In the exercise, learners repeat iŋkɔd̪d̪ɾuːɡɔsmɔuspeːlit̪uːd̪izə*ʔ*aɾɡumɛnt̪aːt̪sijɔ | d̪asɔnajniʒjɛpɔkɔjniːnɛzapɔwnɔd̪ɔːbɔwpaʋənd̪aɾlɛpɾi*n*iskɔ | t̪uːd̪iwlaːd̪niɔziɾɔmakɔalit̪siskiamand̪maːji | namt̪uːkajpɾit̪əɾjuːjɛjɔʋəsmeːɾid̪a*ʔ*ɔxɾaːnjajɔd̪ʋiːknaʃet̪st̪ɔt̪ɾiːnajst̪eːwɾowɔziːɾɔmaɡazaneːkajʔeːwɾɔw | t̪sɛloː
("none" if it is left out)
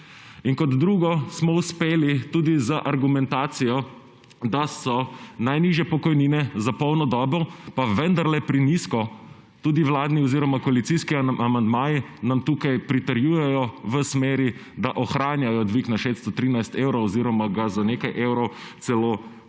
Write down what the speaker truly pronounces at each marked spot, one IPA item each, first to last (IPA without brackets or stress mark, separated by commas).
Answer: ʔ, n, ʔ